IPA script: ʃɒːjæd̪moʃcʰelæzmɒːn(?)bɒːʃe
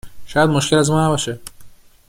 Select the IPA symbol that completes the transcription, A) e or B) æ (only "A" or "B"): B